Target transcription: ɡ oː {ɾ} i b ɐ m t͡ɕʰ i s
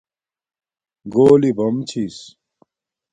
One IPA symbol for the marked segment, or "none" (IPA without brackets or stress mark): l